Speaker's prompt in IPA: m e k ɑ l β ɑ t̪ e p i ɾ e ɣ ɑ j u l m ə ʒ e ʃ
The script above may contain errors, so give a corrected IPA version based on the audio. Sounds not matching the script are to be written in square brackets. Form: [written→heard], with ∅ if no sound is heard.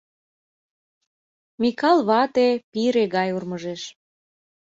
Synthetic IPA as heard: m [e→i] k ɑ l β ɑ t̪ e p i ɾ e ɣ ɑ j u [l→r] m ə ʒ e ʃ